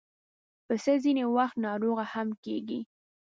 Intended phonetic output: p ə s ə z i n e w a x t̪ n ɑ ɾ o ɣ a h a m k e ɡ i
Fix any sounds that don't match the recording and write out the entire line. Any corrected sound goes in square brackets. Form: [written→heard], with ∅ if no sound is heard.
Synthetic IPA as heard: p ə s ə z i n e w a x t̪ n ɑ ɾ o ɣ a h a m k e ɡ i